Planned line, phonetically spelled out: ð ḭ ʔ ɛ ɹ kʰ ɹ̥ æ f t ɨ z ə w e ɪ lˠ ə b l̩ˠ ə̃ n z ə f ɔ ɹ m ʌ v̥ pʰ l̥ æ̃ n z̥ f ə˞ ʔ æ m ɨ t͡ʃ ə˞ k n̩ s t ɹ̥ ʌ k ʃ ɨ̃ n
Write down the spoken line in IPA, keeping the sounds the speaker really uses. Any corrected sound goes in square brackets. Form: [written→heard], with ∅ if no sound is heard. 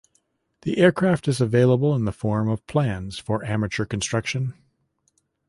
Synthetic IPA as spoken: ð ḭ ʔ ɛ ɹ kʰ ɹ̥ æ f t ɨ z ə [w→v] e ɪ lˠ ə b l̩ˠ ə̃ n [z→ð] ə f ɔ ɹ m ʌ v̥ pʰ l̥ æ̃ n z̥ f ə˞ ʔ æ m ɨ t͡ʃ ə˞ k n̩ s t ɹ̥ ʌ k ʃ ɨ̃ n